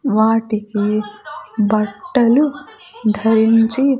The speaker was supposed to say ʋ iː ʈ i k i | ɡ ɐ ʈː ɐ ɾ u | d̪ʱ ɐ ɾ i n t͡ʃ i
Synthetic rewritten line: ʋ aː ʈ i k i | b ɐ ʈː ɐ l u | d̪ʱ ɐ ɾ i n t͡ʃ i